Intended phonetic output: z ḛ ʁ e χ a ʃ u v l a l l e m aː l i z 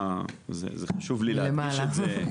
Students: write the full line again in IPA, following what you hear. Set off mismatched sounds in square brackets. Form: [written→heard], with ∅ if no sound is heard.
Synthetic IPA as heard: z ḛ [ʁ→z] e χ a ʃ u v l [a→i] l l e m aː l [i→a] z